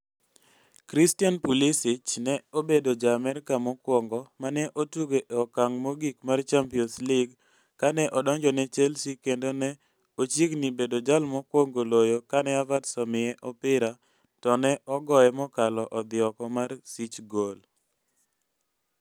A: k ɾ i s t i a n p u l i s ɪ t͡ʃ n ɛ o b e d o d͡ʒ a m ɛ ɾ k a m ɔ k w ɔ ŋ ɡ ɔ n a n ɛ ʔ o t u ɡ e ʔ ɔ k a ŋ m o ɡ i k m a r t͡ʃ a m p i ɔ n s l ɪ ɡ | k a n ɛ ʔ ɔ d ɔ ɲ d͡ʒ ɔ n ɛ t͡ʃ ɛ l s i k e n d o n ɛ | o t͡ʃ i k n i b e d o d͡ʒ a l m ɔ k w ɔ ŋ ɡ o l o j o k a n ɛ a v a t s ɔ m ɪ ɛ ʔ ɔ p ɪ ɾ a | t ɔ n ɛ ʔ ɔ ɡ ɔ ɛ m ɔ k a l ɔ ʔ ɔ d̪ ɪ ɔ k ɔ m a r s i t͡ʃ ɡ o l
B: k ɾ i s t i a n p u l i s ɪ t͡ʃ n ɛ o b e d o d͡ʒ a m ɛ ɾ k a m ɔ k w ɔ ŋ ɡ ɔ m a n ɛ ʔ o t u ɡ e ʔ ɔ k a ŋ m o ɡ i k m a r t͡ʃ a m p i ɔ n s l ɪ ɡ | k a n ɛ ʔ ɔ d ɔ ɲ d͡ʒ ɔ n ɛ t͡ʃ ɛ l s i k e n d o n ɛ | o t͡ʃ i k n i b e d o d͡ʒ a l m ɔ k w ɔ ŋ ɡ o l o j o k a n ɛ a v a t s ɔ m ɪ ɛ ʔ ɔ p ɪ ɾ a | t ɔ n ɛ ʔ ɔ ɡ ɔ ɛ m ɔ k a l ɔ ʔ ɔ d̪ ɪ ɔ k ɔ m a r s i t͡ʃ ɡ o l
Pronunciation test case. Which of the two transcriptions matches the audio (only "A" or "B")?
B